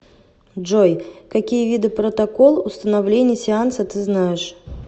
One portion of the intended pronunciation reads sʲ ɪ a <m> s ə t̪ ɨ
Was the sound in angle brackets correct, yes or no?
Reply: no